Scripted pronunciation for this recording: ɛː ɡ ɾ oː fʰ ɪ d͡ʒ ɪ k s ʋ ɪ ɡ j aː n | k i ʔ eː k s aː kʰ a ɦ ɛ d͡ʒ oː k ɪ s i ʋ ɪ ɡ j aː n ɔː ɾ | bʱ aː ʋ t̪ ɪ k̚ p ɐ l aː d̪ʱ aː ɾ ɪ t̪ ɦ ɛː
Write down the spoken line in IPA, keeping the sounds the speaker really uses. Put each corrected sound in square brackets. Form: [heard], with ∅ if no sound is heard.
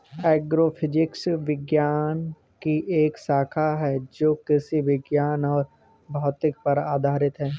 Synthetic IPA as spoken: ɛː ɡ ɾ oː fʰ ɪ d͡ʒ ɪ k s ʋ ɪ ɡ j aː n | k i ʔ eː k s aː kʰ a ɦ ɛ d͡ʒ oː k ɪ s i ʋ ɪ ɡ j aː n ɔː ɾ | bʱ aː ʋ t̪ ɪ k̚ p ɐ [ɾ] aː d̪ʱ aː ɾ ɪ t̪ ɦ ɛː